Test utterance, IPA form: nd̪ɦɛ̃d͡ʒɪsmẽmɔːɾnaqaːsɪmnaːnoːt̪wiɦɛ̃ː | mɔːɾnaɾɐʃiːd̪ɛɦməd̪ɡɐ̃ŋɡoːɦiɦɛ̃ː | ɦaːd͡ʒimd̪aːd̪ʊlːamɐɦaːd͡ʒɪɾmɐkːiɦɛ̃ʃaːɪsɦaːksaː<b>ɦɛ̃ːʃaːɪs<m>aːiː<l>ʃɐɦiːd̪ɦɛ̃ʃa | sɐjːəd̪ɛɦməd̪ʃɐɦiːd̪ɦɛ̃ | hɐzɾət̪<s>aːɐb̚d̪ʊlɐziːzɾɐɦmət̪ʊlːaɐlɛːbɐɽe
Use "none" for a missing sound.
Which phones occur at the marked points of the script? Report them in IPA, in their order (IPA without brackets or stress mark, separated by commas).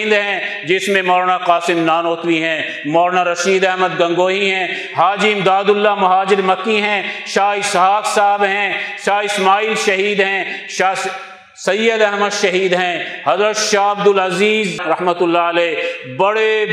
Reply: b, m, l, ʃ